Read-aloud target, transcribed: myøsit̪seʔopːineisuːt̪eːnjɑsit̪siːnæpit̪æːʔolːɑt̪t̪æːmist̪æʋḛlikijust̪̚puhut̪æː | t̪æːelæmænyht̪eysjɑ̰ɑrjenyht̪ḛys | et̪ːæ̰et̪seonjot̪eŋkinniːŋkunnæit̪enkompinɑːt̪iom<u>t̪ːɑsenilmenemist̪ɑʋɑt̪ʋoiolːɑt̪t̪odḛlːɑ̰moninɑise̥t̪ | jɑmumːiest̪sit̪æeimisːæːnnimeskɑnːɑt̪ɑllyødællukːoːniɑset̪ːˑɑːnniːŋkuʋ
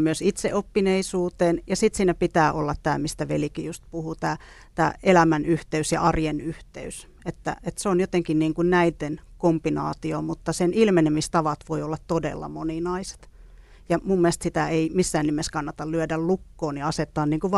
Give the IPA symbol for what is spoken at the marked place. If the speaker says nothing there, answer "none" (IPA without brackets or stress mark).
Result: u